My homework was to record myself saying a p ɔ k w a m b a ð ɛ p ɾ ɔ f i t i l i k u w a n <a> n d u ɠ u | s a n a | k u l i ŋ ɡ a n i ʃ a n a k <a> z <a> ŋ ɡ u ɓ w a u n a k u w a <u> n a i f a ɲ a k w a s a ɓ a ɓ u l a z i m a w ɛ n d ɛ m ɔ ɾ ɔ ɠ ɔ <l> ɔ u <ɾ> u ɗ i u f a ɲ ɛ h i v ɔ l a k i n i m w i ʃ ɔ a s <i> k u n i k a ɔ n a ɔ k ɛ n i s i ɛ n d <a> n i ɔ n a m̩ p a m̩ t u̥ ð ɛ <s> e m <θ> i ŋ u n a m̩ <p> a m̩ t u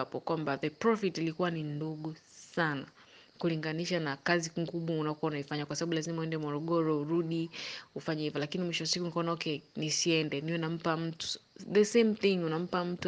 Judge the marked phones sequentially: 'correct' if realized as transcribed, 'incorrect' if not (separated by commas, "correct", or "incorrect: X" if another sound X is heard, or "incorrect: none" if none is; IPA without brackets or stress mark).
incorrect: i, correct, incorrect: i, correct, incorrect: ɾ, correct, correct, incorrect: ɛ, correct, correct, correct